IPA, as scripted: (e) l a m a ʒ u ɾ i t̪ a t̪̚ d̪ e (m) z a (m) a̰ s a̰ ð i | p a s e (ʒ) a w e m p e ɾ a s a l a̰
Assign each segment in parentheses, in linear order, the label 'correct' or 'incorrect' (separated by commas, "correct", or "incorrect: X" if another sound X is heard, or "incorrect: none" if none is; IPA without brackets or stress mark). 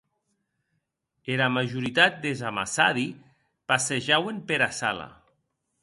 correct, incorrect: none, correct, correct